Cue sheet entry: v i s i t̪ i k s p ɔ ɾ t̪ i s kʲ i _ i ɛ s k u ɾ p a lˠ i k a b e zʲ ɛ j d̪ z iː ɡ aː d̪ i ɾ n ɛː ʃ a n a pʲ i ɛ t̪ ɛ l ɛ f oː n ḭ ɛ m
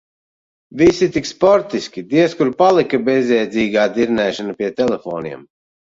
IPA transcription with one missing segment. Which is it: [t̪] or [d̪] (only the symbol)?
d̪